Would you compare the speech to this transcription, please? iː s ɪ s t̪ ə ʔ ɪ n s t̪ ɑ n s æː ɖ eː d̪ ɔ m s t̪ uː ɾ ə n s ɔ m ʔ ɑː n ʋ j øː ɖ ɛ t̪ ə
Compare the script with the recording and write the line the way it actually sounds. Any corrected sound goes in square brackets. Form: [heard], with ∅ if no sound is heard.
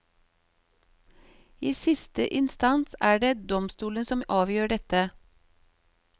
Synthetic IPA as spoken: iː s ɪ s t̪ ə ʔ ɪ n s t̪ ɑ n s æː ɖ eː d̪ ɔ m s t̪ uː [l] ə n s ɔ m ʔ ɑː [∅] ʋ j øː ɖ ɛ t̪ ə